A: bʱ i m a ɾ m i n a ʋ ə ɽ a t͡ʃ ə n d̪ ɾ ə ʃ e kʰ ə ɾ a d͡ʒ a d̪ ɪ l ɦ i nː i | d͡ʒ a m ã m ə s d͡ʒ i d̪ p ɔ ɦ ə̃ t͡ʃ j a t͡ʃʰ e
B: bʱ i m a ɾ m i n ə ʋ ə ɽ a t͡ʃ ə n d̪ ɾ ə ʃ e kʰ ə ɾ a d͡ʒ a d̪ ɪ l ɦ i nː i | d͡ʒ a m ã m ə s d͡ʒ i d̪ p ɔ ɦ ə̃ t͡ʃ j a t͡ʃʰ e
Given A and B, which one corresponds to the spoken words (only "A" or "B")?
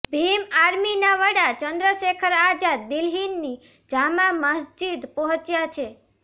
A